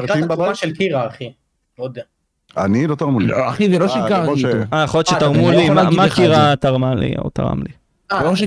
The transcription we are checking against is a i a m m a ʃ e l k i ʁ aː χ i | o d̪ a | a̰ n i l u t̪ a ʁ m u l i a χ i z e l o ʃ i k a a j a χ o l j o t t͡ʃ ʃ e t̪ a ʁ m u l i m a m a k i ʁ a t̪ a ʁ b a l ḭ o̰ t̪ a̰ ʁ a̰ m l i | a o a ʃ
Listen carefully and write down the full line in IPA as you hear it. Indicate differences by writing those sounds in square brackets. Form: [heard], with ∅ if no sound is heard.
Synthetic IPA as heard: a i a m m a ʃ e l k i ʁ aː χ i | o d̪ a | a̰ n i l [o] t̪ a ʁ m u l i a χ i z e l o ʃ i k a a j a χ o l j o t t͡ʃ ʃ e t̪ a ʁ m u l i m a m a k i ʁ a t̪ a ʁ [m] a l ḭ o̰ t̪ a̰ ʁ a̰ m l i | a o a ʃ